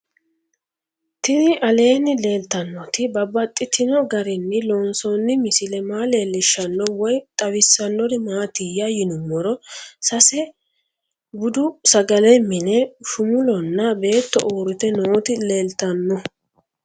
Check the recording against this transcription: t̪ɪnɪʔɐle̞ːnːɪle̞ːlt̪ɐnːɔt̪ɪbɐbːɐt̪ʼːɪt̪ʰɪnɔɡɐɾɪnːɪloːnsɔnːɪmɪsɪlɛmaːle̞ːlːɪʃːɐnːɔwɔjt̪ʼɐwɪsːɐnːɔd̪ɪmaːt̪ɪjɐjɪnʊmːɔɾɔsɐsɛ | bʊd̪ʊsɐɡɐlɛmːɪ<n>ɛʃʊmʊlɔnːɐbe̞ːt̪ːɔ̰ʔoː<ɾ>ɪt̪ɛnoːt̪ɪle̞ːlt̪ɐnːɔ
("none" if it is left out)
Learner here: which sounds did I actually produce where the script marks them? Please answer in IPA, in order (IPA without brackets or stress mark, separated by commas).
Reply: n, ɾ